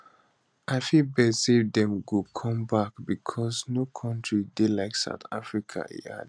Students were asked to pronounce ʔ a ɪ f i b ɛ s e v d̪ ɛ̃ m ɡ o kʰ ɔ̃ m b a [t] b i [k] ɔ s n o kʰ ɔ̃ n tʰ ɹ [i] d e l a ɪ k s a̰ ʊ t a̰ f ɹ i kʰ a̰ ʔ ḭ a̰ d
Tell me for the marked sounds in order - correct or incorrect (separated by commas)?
incorrect, incorrect, correct